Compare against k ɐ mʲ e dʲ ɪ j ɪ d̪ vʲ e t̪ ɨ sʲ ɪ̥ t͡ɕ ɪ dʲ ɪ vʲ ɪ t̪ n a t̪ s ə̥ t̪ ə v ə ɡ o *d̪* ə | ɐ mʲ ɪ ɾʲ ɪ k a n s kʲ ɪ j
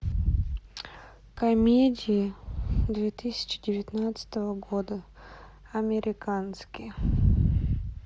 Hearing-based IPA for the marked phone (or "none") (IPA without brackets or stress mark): d̪